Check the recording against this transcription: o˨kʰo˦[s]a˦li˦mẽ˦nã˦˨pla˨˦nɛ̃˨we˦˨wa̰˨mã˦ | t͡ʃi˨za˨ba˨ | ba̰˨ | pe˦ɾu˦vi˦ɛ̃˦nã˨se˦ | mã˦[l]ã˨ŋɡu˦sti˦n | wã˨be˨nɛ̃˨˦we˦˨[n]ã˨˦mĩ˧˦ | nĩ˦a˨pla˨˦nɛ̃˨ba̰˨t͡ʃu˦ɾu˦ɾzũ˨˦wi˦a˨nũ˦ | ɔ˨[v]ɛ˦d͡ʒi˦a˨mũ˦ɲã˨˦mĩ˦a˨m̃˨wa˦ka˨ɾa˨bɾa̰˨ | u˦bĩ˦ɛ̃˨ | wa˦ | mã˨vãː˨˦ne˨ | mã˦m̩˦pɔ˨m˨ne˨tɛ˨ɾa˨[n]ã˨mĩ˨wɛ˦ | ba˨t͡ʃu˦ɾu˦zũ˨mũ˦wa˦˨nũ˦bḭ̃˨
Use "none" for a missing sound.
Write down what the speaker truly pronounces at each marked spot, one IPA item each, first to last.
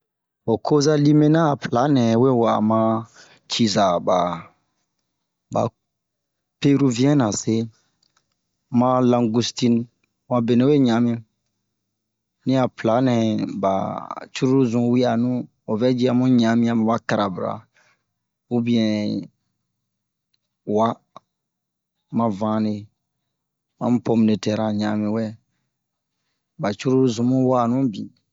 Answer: z, l, ɲ, v, ɲ

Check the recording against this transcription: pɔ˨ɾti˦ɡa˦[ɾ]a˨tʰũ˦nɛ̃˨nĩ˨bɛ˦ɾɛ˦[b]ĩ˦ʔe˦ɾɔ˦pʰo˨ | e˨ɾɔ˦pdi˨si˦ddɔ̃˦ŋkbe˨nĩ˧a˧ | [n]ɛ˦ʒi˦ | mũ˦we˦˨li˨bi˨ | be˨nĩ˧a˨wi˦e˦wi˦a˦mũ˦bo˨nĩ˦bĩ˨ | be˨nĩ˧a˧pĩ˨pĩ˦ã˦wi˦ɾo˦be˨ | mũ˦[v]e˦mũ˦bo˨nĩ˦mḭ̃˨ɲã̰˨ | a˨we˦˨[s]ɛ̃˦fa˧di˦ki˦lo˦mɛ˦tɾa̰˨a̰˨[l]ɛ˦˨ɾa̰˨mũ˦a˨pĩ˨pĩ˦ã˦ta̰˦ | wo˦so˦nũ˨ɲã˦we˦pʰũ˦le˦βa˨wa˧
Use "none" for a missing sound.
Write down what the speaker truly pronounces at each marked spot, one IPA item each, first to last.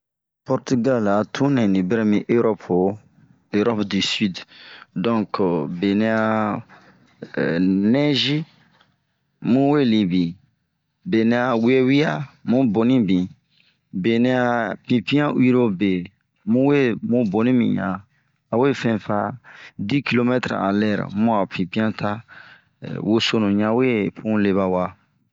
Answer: l, m, n, w, f, l

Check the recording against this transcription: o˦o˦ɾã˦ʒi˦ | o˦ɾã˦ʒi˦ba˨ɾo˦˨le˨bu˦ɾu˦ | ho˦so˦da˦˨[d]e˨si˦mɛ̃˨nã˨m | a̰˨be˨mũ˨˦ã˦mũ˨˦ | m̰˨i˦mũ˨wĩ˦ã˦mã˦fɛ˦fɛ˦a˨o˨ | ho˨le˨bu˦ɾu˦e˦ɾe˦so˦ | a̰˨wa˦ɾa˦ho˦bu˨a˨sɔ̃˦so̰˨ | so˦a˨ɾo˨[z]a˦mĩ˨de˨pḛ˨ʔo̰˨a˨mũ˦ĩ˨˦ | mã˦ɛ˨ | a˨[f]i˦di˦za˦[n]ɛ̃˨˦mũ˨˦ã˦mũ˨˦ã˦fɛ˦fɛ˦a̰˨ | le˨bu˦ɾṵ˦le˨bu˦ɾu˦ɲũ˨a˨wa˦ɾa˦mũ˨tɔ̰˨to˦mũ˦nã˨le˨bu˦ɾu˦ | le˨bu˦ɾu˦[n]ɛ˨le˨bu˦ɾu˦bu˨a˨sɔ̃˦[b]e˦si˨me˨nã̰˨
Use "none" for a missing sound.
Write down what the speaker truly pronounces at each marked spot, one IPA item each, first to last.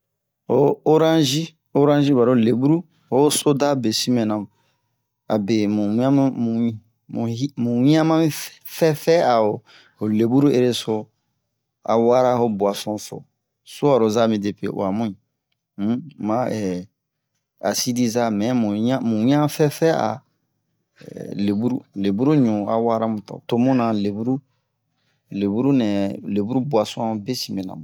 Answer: b, z, s, m, n, b

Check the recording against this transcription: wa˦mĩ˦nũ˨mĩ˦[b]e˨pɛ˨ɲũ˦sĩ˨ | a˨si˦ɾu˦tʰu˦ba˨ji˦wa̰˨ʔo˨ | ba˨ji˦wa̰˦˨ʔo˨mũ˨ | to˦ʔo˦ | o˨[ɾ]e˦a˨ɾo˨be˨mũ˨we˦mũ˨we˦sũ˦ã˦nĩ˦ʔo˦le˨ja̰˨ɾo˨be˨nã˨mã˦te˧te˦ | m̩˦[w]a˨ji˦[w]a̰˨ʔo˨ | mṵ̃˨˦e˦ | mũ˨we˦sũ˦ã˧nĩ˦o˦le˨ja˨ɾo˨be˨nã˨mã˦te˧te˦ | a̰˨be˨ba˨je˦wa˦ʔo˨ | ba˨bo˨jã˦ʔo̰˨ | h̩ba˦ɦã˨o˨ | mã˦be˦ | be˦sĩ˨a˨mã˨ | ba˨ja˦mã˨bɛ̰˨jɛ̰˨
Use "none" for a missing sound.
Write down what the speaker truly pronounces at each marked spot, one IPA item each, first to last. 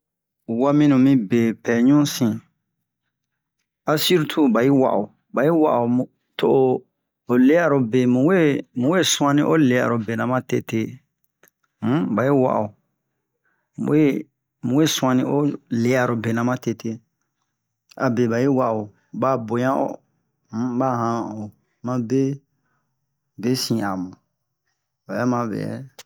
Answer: b, l, b, w

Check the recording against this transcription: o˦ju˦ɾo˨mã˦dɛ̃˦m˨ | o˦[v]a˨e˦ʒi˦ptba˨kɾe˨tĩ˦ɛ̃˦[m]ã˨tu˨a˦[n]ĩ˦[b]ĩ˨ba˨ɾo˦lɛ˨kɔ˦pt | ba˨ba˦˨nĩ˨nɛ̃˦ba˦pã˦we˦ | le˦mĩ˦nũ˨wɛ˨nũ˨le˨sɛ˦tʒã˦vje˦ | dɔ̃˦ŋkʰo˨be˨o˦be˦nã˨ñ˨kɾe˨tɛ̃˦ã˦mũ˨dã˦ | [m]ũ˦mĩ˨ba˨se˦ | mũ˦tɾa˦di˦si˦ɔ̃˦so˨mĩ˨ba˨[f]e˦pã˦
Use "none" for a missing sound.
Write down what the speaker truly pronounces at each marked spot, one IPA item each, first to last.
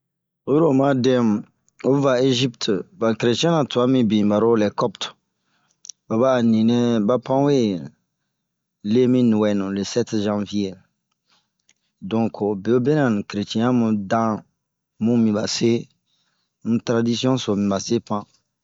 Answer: v, n, m, b, m, s

